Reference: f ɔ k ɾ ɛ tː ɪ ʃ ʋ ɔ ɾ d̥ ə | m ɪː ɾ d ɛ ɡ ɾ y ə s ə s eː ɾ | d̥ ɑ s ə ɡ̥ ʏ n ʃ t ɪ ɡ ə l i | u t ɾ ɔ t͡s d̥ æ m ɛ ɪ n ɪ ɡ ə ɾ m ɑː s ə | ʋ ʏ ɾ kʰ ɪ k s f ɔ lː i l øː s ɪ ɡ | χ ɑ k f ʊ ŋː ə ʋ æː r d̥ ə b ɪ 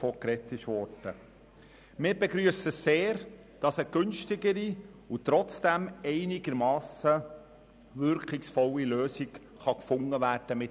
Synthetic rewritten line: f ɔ k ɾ ɛ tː ɪ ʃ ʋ ɔ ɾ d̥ ə | m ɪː ɾ b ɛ ɡ ɾ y ə s ə s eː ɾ | d̥ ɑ s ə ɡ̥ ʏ n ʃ t ɪ ɡ ə ɾ i | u t ɾ ɔ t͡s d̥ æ m ɛ ɪ n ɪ ɡ ə ɾ m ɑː s ə | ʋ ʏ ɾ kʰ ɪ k s f ɔ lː i l øː s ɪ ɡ | χ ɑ k f ʊ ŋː ə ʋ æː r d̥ ə m ɪ